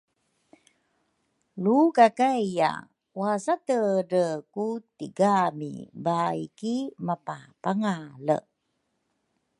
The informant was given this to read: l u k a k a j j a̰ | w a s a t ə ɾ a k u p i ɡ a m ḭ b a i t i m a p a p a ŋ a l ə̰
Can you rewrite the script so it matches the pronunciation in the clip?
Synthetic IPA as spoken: l u k a k a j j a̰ | w a s a t ə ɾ ə k u t i ɡ a m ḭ b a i k i m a p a p a ŋ a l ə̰